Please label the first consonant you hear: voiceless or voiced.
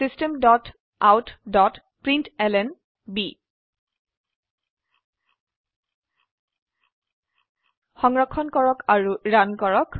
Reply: voiceless